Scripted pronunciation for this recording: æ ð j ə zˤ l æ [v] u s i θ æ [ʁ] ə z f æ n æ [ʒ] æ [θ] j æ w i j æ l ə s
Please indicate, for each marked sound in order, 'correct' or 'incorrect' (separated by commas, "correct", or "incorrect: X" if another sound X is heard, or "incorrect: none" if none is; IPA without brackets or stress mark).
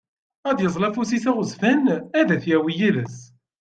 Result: incorrect: f, correct, incorrect: ð, correct